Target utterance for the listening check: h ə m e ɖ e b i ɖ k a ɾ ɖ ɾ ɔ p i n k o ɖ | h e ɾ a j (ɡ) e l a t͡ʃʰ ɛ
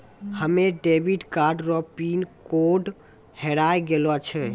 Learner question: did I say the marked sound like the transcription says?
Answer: yes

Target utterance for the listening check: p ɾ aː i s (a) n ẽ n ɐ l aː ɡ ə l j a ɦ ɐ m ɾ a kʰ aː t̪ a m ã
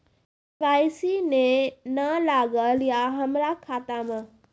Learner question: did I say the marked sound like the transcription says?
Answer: no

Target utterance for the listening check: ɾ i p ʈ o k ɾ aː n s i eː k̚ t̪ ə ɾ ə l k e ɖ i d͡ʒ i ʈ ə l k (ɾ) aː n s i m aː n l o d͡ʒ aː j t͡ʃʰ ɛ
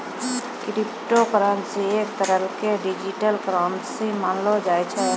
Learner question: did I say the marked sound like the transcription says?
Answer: yes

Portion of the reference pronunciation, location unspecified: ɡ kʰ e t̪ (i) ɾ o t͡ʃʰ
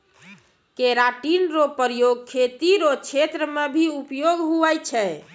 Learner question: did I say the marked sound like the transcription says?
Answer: yes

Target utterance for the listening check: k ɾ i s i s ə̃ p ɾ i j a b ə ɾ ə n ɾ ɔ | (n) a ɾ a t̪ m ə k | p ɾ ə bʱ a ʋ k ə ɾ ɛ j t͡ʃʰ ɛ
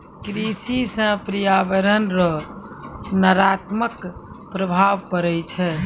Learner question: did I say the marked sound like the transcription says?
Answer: yes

